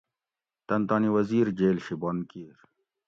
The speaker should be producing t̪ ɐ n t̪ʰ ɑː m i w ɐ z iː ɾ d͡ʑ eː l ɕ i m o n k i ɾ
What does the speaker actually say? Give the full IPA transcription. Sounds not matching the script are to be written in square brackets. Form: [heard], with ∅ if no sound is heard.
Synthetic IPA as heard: t̪ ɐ n [t̪] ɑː [n] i w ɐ z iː ɾ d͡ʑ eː l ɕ i [b] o n k i ɾ